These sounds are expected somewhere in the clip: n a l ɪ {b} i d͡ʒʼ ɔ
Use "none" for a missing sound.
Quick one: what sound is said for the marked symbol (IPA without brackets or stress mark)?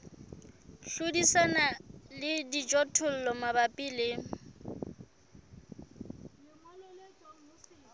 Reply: d